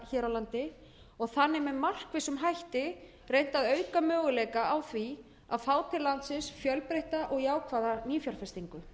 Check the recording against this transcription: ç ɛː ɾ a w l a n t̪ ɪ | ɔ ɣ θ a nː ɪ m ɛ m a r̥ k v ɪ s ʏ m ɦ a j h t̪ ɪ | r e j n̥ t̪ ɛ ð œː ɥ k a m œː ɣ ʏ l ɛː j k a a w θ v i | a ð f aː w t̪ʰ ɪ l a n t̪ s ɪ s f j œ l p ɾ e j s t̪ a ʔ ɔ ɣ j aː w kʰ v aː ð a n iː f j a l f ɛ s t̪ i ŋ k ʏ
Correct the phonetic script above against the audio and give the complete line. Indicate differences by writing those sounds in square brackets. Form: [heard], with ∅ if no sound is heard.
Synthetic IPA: ç ɛː ɾ a w l a n t̪ ɪ | ɔ ɣ θ a nː ɪ m ɛ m a r̥ k v ɪ s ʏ m ɦ a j h t̪ ɪ | r e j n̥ t̪ [a] ð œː ɥ k a m œː ɣ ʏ l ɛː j k a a w θ v i | a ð f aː w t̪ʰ ɪ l a n t̪ s ɪ s f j œ l p ɾ e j [h] t̪ a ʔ ɔ ɣ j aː w kʰ v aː ð a n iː f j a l f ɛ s t̪ i ŋ k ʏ